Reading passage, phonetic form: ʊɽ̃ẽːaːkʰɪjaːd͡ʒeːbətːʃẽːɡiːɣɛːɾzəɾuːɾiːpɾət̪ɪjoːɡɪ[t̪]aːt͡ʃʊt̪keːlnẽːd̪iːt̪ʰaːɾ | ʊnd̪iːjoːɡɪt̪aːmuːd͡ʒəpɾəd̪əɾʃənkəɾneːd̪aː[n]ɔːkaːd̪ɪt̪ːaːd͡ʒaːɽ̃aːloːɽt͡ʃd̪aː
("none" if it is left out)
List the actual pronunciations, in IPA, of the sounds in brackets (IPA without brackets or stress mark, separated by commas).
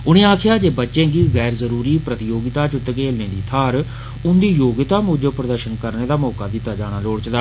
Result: t̪, m